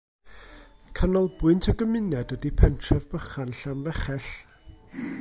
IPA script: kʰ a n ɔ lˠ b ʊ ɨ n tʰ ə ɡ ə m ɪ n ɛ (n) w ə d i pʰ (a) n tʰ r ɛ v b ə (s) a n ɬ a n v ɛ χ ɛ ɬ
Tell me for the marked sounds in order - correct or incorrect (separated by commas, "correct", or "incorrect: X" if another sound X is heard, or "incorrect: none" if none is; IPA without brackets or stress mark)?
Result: incorrect: d, incorrect: ɛ, incorrect: χ